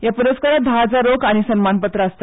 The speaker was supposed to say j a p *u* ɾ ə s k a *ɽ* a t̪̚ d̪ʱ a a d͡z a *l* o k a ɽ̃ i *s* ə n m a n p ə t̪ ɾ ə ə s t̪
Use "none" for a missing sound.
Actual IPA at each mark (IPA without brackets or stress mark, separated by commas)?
u, ɾ, ɾ, s